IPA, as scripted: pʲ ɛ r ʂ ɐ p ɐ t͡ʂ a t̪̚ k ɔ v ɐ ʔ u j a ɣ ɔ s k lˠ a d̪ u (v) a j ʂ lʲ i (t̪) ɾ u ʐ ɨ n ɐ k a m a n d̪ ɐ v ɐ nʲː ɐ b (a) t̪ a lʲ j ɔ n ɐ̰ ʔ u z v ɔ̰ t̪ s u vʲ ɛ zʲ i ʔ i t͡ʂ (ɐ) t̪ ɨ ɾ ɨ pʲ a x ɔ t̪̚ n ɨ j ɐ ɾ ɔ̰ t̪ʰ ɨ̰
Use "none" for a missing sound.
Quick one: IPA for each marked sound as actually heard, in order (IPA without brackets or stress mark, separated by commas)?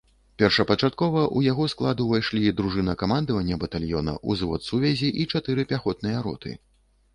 v, d̪, ɐ, a